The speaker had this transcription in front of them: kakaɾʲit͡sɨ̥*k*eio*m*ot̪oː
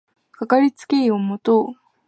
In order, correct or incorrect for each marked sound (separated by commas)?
correct, correct